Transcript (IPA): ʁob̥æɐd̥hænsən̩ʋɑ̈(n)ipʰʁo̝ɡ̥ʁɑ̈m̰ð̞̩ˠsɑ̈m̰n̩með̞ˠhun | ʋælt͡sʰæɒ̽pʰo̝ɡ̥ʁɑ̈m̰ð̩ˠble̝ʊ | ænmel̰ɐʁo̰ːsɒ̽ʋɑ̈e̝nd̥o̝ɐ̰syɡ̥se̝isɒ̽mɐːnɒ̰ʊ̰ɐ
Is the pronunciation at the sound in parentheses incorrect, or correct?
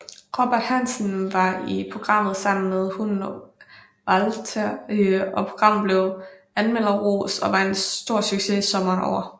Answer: incorrect